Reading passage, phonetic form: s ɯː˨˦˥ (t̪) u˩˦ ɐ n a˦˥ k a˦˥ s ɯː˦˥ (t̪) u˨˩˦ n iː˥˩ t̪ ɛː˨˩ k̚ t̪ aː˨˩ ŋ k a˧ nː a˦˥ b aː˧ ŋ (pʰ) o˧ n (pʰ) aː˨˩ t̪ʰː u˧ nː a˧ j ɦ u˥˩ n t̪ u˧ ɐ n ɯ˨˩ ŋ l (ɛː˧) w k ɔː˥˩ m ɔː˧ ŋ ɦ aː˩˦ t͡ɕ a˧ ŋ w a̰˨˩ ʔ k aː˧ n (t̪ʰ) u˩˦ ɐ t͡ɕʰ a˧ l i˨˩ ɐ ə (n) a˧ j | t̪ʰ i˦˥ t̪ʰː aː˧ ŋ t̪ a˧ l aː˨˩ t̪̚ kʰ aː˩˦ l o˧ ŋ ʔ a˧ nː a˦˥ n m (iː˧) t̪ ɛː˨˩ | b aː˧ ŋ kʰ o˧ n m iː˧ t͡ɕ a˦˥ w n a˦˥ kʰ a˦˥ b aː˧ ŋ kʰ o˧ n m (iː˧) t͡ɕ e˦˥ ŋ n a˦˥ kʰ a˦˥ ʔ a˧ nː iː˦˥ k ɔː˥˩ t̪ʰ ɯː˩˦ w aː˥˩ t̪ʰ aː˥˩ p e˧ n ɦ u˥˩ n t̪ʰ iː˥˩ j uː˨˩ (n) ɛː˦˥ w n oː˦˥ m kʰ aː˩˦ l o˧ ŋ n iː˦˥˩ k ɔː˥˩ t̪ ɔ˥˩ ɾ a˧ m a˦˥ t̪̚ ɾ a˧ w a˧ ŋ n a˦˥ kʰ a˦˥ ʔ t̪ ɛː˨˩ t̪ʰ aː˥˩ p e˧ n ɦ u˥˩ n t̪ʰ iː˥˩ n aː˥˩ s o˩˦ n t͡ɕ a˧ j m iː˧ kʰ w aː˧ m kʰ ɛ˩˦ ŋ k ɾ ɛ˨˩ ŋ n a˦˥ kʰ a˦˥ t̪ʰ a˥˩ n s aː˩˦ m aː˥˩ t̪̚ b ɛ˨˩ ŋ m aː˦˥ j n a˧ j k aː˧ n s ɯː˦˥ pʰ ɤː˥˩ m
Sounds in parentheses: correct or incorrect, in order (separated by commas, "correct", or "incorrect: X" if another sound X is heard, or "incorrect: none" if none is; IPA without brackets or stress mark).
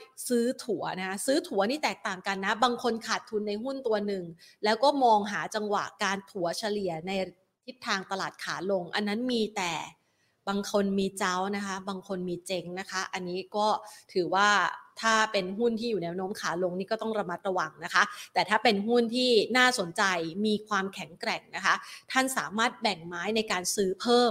incorrect: t̪ʰ, incorrect: t̪ʰ, incorrect: kʰ, incorrect: kʰ, incorrect: ɛː˦˥, correct, correct, correct, correct, correct